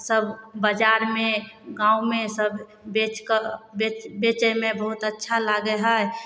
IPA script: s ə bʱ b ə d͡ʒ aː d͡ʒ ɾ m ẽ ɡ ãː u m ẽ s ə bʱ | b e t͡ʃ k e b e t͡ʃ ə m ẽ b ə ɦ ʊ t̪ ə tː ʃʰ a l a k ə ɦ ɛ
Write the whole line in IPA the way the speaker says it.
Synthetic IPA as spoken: s ə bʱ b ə d͡ʒ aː ɾ m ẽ ɡ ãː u m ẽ s ə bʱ | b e t͡ʃ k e b e t͡ʃ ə m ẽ b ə ɦ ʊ t̪ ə tː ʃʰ a l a ɡ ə ɦ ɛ